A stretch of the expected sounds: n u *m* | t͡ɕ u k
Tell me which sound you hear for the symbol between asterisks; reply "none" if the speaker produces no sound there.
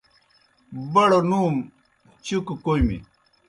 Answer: m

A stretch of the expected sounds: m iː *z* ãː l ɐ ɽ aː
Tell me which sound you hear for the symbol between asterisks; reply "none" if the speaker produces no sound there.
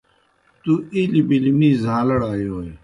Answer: z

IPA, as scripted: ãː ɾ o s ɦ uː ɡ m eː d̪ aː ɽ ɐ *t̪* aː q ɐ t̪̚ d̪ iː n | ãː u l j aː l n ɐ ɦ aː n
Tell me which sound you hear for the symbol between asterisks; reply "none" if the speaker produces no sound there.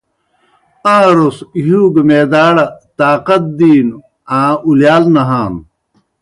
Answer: t̪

